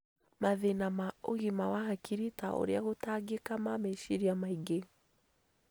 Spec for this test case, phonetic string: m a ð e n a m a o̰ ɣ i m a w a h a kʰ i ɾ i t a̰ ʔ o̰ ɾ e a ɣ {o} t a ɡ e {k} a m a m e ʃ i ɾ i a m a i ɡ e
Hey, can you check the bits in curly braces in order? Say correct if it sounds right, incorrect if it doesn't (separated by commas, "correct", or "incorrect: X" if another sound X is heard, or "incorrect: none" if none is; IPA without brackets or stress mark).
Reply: correct, correct